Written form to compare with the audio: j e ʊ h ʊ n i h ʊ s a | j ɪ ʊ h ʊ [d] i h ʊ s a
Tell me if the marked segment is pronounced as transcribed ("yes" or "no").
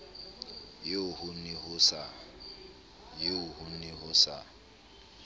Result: no